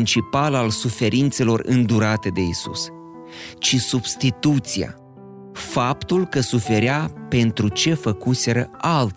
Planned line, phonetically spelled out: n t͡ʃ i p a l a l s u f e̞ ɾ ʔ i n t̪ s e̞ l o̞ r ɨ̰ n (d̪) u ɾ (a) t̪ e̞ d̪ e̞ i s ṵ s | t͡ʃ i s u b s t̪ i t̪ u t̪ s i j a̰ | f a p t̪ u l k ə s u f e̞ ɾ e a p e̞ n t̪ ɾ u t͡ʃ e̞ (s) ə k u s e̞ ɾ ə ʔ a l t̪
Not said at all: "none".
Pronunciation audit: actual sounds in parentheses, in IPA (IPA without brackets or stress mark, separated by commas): d̪, a, f